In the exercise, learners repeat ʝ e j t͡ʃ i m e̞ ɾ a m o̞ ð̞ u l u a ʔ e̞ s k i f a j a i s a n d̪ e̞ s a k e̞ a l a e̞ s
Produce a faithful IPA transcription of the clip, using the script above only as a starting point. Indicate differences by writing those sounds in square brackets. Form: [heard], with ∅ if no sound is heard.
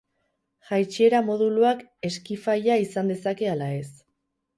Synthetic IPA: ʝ [a] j t͡ʃ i [∅] e̞ ɾ a m o̞ ð̞ u l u a [k] e̞ s k i f a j a i s a n d̪ e̞ s a k e̞ a l a e̞ s